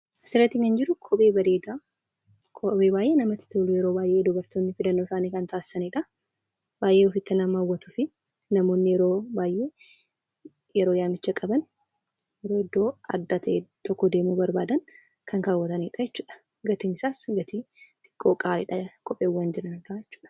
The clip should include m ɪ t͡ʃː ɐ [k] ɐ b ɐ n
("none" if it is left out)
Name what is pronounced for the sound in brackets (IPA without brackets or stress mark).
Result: kʼ